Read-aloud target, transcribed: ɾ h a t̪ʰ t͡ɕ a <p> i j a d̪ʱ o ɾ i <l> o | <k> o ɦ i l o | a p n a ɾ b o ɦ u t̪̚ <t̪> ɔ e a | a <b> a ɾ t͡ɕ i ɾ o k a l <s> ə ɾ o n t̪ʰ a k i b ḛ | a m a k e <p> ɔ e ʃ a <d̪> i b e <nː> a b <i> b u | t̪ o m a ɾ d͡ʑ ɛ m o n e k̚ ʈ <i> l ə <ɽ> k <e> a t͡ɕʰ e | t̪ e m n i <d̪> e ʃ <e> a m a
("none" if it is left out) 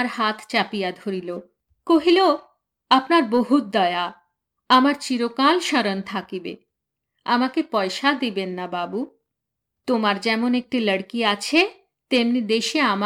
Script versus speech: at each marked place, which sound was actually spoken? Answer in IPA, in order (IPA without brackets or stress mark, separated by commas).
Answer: p, l, k, d̪, m, ʃ, p, d̪, nː, a, i, ɽ, i, d̪, e